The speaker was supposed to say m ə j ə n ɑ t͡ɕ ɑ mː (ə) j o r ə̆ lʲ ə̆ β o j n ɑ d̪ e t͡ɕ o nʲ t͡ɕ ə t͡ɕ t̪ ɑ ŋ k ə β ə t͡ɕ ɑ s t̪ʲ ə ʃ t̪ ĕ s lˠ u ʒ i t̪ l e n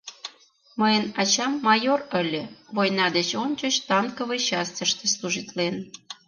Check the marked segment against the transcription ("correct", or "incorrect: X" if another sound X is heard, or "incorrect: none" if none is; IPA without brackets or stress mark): incorrect: ɑ